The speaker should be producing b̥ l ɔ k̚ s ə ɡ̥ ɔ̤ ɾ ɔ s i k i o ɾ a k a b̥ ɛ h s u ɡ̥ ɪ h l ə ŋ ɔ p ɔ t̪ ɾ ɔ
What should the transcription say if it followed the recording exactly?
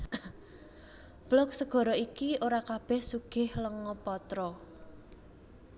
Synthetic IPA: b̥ l ɔ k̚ s ə ɡ̥ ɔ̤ ɾ ɔ i k i o ɾ a k a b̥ ɛ h s u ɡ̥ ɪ h l ə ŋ ɔ p ɔ t̪ ɾ ɔ